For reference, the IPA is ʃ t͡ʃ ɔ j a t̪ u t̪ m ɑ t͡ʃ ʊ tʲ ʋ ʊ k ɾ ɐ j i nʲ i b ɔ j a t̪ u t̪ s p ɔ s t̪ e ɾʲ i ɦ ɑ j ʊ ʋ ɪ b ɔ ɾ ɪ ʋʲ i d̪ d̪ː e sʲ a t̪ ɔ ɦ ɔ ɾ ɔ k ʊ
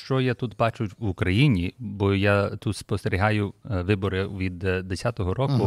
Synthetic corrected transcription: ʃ t͡ʃ ɔ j a t̪ u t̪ b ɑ t͡ʃ ʊ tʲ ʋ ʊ k ɾ ɐ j i nʲ i b ɔ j a t̪ u t̪ s p ɔ s t̪ e ɾʲ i ɦ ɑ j ʊ ʋ ɪ b ɔ ɾ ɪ ʋʲ i d̪ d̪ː e sʲ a t̪ ɔ ɦ ɔ ɾ ɔ k ʊ